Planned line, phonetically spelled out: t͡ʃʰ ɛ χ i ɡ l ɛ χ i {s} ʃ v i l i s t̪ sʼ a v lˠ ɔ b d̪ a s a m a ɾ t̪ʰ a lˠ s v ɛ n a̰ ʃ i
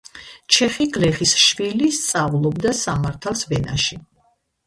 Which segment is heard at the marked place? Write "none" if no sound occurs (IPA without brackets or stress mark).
s